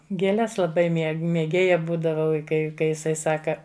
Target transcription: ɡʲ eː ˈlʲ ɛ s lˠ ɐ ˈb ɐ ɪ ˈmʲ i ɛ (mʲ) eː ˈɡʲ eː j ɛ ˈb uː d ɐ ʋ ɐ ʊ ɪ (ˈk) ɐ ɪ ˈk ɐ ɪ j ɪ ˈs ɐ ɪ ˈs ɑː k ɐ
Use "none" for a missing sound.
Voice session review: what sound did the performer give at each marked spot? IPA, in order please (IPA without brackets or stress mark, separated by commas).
mʲ, k